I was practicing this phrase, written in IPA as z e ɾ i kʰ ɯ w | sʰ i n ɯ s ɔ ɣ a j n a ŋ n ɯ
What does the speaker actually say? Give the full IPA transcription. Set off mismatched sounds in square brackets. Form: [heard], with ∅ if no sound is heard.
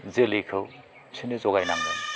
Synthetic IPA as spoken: z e [l] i kʰ ɯ w | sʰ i n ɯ [z] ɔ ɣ a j n a ŋ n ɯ